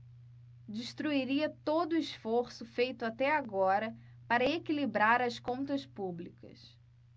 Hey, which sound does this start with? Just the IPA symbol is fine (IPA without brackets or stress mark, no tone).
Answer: d͡ʒ